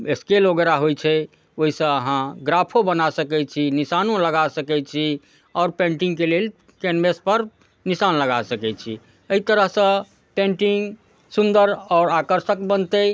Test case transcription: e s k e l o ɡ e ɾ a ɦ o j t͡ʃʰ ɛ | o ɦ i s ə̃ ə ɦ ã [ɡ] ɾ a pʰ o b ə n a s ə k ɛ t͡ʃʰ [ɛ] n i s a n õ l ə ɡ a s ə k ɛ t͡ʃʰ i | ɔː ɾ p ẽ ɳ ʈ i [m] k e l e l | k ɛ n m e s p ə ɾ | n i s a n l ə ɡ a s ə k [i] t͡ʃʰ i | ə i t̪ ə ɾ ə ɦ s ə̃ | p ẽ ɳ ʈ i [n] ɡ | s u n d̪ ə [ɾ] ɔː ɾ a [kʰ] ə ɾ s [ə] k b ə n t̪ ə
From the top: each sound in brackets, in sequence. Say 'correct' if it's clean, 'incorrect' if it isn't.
correct, incorrect: i, incorrect: ŋ, incorrect: ɛ, incorrect: ŋ, correct, incorrect: k, correct

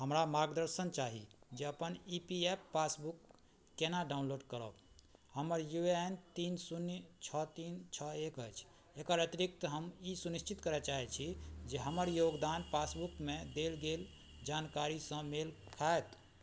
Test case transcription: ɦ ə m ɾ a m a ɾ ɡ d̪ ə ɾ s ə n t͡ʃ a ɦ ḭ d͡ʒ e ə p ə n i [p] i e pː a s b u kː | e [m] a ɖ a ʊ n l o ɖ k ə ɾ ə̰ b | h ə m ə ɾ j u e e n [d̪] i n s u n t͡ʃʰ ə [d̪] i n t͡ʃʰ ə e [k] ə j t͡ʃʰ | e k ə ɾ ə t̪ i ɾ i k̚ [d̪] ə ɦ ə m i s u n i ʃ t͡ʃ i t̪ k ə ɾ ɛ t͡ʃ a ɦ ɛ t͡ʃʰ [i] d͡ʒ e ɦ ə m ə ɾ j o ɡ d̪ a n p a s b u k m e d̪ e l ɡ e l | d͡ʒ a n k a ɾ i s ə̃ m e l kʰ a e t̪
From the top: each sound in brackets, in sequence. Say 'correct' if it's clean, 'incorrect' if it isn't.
correct, incorrect: n, incorrect: t̪, incorrect: t̪, correct, incorrect: t̪, correct

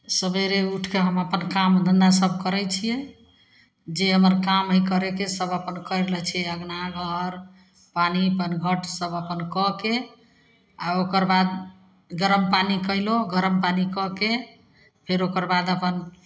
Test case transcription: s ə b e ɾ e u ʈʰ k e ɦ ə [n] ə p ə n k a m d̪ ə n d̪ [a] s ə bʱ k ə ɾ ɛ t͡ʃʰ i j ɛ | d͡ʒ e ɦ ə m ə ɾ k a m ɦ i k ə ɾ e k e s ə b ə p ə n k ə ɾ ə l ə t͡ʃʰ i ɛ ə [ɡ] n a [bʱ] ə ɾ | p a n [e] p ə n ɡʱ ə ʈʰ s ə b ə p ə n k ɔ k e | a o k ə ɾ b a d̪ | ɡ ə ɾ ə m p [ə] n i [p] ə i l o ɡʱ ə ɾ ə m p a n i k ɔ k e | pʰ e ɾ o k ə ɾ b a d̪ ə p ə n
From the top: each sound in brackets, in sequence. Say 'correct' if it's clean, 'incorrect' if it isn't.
incorrect: m, correct, correct, incorrect: ɡʱ, incorrect: i, incorrect: a, incorrect: k

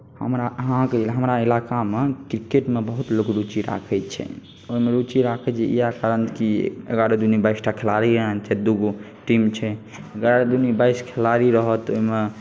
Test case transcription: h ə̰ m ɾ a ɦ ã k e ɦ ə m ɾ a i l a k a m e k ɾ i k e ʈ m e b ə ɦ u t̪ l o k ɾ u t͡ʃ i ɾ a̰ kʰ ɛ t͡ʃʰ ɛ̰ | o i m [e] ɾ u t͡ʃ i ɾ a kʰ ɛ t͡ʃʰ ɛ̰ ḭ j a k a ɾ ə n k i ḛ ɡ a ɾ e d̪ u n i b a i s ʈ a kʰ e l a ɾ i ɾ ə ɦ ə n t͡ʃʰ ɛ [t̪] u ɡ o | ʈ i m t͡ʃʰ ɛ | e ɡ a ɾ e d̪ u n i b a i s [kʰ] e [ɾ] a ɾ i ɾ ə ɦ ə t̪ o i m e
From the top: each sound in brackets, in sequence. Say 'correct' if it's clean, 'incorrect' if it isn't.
correct, incorrect: d̪, correct, incorrect: l

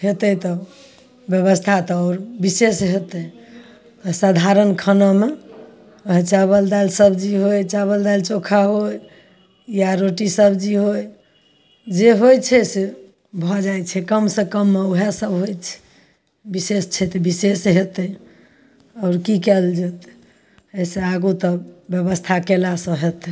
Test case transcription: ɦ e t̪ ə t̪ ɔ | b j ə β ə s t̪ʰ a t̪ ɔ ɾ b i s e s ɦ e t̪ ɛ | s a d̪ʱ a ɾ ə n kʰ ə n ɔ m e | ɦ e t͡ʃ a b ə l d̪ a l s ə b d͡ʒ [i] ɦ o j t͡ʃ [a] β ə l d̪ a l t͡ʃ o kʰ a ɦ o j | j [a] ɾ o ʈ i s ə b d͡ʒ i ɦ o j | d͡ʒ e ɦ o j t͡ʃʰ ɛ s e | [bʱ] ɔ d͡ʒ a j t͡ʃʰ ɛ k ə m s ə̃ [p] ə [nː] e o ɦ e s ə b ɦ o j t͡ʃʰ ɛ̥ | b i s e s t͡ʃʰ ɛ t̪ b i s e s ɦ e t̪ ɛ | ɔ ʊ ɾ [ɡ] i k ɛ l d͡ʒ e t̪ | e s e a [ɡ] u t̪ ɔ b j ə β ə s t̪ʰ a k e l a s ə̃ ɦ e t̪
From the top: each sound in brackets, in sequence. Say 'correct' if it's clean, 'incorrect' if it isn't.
correct, correct, correct, correct, incorrect: k, incorrect: mː, incorrect: k, correct

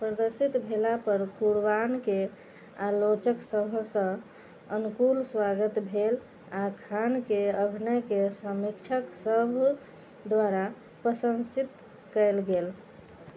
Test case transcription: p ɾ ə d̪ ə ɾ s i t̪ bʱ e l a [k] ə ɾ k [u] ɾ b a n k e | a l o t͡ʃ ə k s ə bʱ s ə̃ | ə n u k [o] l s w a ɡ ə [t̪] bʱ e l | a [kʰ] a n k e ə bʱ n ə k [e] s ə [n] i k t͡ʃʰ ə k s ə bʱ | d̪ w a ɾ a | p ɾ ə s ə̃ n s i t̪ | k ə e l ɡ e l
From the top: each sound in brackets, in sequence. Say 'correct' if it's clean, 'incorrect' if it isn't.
incorrect: p, correct, incorrect: u, correct, correct, correct, incorrect: m

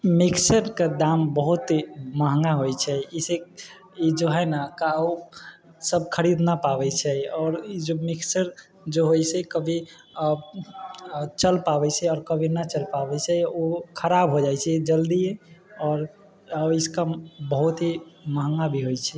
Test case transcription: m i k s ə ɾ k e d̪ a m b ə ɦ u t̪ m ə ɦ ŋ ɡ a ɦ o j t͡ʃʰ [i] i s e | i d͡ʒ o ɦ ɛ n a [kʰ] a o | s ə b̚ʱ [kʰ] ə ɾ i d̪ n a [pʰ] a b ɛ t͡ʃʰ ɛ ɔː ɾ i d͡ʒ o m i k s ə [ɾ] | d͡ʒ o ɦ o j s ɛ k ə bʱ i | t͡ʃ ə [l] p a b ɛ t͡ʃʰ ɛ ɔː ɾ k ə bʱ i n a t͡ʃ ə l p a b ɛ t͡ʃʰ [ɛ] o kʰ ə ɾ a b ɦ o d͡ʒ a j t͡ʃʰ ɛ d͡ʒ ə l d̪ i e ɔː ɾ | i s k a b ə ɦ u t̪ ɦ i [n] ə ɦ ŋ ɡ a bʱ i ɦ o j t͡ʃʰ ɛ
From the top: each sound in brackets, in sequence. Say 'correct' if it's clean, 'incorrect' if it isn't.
incorrect: ɛ, incorrect: k, correct, incorrect: p, correct, correct, correct, incorrect: m

